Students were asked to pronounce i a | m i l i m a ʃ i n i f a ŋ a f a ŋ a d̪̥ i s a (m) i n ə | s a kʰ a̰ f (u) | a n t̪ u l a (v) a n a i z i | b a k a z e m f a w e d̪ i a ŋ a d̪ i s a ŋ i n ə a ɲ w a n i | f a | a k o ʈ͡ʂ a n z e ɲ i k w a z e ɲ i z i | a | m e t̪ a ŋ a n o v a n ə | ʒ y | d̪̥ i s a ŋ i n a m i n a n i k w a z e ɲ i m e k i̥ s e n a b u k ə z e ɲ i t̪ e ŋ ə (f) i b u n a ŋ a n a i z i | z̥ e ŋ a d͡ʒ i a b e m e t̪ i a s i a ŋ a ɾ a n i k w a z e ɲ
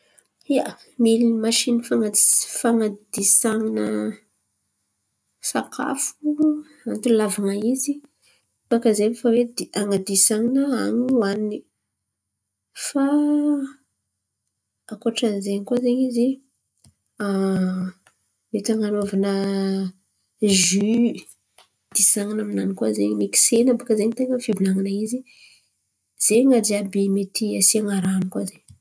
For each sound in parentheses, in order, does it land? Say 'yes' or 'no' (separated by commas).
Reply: no, yes, yes, yes